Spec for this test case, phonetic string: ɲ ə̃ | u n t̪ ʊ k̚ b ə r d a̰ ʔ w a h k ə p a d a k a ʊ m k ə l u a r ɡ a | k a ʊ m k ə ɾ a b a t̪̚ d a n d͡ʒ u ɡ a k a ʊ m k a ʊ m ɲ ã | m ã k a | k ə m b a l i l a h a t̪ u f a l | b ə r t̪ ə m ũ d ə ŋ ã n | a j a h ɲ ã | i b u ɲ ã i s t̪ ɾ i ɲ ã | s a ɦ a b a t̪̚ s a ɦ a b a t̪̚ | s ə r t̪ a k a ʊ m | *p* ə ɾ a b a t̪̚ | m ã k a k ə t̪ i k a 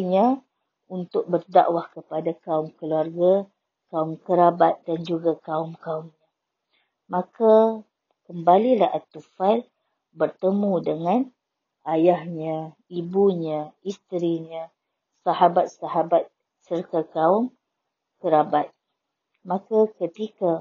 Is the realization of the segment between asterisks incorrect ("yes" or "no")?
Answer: yes